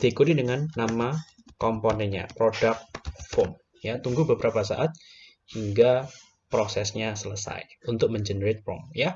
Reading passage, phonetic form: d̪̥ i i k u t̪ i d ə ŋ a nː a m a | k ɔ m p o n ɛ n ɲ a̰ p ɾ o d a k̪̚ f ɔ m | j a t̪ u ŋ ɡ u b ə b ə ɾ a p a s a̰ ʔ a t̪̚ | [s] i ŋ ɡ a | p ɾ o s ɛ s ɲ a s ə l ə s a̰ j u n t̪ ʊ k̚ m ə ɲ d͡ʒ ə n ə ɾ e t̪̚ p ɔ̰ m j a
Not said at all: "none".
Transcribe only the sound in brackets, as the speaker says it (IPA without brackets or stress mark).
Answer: h